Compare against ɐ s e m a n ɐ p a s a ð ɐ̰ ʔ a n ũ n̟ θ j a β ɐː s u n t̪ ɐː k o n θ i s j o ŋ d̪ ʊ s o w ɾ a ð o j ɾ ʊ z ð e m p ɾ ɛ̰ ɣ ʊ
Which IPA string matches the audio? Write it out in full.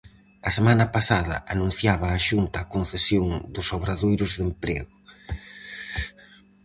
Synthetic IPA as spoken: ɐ s e m a n ɐ p a s a ð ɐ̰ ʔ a n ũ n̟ θ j a β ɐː ʃ u n t̪ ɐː k o n θ e s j o ŋ d̪ ʊ s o β ɾ a ð o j ɾ ʊ z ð e m p ɾ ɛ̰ ɣ ʊ